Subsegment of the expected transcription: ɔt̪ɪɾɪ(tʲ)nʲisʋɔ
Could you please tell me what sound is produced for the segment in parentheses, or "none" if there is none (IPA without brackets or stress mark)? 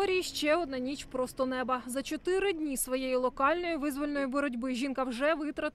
dʲ